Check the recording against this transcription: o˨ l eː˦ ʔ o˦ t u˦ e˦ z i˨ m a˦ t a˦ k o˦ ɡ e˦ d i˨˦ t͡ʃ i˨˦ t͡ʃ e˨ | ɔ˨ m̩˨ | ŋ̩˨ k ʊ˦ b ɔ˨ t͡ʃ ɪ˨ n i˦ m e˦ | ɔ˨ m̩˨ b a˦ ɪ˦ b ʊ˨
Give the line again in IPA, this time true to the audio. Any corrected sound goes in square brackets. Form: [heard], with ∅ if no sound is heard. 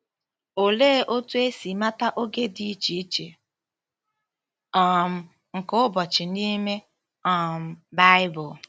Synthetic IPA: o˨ l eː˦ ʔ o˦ t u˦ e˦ [s] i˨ m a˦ t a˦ [ʔ] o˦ ɡ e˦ d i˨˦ t͡ʃ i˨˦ t͡ʃ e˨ | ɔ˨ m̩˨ | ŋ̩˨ k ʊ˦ b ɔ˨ t͡ʃ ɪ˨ n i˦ m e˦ | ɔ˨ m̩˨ b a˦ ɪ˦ b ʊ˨

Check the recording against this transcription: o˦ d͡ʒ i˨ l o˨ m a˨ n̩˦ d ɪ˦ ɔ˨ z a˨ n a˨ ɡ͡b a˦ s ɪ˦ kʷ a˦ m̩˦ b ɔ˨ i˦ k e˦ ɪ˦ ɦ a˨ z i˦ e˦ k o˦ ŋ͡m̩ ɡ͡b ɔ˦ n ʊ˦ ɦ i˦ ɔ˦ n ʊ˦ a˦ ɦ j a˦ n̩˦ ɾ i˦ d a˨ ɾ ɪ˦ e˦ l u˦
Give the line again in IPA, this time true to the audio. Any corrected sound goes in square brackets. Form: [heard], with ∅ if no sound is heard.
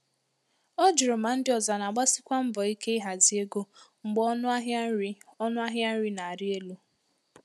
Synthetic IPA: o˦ d͡ʒ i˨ [ɾ] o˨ m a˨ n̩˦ d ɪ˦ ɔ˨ z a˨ n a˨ ɡ͡b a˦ s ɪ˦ kʷ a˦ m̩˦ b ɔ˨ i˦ k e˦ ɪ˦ ɦ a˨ z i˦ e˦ [ɡ] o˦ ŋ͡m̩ ɡ͡b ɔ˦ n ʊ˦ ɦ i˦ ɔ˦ n ʊ˦ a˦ ɦ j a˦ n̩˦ ɾ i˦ [n] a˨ ɾ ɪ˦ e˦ l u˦

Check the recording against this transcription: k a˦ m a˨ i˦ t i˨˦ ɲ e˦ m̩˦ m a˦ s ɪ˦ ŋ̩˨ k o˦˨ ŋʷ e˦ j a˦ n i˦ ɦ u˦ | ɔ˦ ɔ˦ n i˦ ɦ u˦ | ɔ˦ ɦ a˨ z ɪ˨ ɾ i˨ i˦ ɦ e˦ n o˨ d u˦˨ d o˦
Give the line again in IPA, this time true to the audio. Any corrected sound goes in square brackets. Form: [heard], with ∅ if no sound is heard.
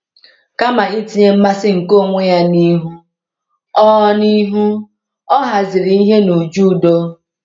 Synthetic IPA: k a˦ m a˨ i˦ t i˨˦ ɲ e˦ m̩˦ m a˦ s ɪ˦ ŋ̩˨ k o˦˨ ŋʷ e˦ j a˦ n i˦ ɦ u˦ | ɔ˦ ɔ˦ n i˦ ɦ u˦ | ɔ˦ ɦ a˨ z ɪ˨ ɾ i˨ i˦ ɦ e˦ n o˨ [d͡ʒ] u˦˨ d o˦

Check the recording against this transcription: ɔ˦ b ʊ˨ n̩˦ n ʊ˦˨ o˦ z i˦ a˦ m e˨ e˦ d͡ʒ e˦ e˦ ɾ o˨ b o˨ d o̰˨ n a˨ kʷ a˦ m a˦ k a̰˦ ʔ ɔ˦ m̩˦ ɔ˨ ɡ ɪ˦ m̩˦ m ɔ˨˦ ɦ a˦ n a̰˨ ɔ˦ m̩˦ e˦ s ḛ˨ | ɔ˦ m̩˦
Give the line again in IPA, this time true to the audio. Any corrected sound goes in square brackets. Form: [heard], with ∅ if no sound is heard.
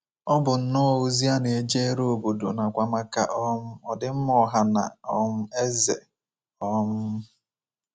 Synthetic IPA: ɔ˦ b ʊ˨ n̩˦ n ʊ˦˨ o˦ z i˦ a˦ [n] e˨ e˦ d͡ʒ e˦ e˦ ɾ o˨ b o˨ d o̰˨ n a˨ kʷ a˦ m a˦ k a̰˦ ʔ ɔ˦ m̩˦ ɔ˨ [d] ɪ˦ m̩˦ m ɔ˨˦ ɦ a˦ n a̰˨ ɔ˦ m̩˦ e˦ [z] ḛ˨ | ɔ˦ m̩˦

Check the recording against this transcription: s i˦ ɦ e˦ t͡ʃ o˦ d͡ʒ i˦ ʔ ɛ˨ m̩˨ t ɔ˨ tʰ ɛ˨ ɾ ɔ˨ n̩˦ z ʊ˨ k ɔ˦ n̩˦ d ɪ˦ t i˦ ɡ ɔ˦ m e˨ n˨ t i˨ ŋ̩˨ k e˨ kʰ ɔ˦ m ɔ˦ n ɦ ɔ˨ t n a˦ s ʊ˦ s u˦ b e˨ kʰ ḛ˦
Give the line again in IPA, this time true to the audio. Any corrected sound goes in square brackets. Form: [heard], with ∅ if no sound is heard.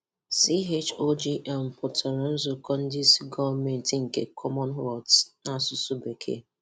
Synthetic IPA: s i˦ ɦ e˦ t͡ʃ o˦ d͡ʒ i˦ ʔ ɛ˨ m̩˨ [p] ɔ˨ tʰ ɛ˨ ɾ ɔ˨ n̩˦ z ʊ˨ k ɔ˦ n̩˦ d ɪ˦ [s] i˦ ɡ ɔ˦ m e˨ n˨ t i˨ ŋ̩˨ k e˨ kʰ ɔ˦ m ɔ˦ n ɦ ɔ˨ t n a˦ s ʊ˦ s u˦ b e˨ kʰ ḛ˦

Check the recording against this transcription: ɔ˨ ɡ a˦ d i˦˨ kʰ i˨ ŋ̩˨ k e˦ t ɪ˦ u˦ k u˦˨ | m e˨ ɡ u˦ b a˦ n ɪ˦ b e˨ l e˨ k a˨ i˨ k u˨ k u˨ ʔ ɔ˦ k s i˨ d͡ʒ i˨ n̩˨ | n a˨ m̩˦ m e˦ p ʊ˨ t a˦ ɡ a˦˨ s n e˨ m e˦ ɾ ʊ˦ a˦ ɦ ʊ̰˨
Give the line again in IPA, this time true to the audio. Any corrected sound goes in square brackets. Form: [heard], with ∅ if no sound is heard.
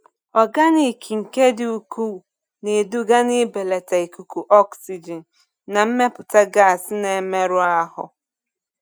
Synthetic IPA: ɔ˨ ɡ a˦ [n] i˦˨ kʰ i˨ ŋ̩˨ k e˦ [d] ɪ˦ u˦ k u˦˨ | [n] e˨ [d] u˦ [ɡ] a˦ n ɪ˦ b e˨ l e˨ [t] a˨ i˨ k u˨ k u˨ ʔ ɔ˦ k s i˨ d͡ʒ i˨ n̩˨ | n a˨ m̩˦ m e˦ p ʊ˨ t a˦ ɡ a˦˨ s n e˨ m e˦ ɾ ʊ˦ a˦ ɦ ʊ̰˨

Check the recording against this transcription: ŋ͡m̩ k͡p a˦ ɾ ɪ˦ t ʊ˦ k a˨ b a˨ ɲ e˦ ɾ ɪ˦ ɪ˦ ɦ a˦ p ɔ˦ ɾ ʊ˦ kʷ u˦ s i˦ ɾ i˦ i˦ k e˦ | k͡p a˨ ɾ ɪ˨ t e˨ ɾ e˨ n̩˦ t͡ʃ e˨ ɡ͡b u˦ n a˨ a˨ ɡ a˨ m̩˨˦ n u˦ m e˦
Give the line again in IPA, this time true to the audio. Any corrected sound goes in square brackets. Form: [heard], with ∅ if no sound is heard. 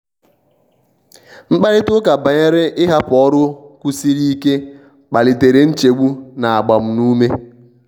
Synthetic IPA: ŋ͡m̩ k͡p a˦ ɾ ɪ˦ t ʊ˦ k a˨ b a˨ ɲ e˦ ɾ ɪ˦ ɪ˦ ɦ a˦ p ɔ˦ ɾ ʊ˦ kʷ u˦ s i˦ ɾ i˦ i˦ k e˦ | k͡p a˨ [l] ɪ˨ t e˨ ɾ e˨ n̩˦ t͡ʃ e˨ ɡ͡b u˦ n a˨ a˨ [ɡ͡b] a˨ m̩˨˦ n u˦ m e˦

